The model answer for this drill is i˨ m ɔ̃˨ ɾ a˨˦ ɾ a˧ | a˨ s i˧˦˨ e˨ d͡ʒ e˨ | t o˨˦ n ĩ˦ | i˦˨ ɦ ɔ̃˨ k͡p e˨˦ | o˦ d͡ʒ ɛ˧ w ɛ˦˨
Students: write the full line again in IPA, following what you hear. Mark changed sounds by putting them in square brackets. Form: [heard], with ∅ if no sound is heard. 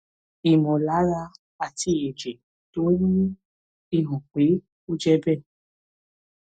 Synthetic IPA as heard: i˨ m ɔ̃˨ [l] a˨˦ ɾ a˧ | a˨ [t] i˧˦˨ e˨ d͡ʒ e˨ | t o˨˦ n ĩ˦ | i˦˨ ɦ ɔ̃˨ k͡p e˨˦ | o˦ d͡ʒ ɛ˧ [b] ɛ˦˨